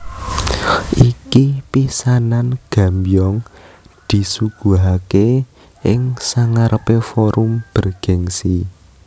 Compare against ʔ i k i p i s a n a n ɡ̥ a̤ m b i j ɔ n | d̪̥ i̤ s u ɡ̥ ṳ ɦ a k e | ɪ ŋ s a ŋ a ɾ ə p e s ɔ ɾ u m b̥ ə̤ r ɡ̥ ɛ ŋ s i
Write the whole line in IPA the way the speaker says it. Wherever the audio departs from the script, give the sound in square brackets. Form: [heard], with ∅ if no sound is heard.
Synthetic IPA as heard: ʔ i k i p i s a n a n ɡ̥ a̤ m b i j ɔ [ŋ] | d̪̥ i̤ s u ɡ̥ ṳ ɦ a k e | ɪ ŋ s a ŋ a ɾ ə p e [f] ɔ ɾ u m b̥ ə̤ r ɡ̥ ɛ ŋ s i